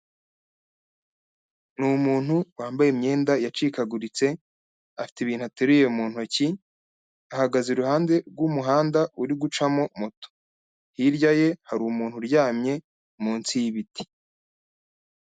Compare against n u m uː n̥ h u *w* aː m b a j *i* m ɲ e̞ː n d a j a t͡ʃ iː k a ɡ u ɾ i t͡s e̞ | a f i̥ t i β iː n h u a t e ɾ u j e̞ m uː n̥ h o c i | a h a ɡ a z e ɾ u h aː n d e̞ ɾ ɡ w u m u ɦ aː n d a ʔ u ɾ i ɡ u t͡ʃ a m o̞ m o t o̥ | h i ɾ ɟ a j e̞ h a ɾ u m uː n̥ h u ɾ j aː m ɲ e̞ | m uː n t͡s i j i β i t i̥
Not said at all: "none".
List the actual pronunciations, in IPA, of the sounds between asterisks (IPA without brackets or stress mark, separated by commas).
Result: w, e